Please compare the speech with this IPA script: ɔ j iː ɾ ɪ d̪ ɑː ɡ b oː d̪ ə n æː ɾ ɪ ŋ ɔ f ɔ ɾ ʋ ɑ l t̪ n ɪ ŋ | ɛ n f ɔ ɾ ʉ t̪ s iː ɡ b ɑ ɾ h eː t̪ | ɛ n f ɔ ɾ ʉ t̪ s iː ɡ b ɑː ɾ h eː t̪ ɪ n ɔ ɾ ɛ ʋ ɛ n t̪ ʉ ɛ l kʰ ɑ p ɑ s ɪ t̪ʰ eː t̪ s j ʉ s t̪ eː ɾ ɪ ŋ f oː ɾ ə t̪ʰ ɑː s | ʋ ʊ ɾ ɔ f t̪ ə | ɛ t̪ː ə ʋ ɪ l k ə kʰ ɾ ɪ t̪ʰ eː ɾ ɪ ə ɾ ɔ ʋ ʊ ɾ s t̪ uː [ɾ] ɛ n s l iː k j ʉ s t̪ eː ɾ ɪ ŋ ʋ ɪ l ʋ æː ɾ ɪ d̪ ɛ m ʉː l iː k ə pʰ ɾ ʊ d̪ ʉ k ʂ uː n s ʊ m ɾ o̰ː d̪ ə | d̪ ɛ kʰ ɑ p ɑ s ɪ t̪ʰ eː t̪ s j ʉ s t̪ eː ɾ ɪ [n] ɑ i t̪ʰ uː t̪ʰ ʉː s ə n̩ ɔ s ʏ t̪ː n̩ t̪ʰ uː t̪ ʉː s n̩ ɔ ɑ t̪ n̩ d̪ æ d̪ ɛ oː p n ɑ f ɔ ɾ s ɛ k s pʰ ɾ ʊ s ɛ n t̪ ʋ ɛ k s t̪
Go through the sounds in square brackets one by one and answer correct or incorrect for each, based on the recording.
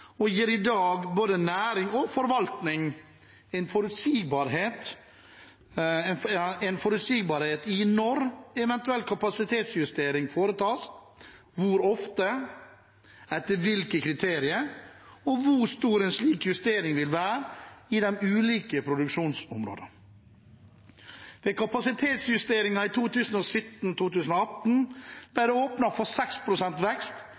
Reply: correct, incorrect: ŋ

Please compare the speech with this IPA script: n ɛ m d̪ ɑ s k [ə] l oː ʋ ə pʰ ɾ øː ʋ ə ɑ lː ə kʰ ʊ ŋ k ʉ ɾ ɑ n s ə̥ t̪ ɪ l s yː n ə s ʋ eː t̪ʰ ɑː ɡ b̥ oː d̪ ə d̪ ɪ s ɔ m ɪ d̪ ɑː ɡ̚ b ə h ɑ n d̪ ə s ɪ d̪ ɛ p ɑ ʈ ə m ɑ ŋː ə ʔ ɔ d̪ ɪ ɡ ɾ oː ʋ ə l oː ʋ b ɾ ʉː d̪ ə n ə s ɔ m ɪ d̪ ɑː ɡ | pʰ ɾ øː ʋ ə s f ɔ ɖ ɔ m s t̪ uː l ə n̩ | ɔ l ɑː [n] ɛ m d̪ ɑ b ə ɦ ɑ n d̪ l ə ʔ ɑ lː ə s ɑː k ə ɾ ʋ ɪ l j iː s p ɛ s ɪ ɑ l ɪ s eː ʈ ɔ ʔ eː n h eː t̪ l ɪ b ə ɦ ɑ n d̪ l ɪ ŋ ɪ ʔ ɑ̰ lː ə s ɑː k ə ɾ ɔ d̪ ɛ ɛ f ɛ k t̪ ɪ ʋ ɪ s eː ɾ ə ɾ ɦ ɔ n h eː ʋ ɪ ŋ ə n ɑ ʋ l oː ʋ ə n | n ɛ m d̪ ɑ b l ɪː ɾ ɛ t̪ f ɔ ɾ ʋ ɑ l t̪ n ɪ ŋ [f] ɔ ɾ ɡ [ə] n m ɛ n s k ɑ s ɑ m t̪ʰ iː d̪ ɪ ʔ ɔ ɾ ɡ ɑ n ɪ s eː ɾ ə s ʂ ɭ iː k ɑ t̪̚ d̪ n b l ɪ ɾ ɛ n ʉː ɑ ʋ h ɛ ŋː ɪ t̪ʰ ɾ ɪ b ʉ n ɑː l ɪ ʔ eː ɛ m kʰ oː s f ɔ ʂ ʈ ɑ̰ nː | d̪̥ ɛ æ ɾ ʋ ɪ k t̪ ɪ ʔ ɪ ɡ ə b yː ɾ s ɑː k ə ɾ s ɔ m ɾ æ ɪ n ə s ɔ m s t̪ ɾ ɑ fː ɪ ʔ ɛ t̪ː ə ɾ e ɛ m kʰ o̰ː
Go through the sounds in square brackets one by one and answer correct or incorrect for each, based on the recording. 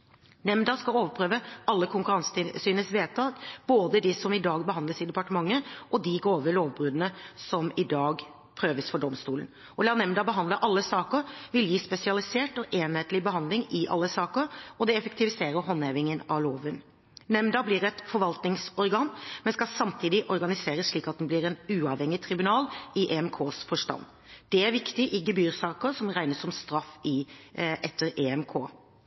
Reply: incorrect: ɑ, correct, incorrect: s, incorrect: ɑ

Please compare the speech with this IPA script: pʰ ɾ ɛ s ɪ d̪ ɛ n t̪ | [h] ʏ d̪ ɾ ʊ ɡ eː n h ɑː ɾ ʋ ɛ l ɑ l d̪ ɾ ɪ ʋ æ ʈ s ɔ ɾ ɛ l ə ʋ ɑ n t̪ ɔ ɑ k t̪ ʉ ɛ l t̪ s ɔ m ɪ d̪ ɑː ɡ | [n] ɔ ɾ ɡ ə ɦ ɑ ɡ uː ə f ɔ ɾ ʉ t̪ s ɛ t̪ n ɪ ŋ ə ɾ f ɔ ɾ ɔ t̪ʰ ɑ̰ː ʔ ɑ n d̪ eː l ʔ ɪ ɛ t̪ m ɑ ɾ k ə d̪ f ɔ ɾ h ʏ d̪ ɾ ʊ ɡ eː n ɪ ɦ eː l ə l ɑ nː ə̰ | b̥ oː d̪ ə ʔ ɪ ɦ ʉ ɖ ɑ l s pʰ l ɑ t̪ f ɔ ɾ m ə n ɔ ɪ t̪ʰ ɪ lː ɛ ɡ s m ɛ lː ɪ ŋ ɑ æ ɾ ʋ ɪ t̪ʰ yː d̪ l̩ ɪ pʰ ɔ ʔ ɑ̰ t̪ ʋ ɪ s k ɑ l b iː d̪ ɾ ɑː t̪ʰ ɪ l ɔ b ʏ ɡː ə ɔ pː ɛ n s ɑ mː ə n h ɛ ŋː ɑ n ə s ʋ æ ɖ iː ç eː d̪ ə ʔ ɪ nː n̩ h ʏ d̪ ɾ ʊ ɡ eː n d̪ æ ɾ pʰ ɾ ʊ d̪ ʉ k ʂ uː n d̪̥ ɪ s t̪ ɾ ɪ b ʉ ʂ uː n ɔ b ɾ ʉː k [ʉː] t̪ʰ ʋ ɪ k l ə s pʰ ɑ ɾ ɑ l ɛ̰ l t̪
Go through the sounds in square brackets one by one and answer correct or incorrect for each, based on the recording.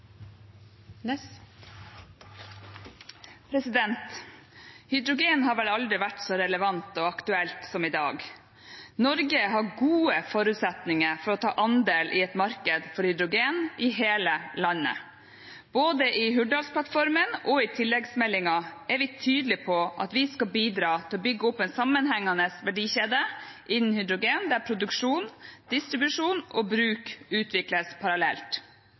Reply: correct, correct, correct

